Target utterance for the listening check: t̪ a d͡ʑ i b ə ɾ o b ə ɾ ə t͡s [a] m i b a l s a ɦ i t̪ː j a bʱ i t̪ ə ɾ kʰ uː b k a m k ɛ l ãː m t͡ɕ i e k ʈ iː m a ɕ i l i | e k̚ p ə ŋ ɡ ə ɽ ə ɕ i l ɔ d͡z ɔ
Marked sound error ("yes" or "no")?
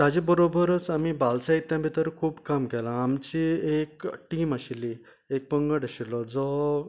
no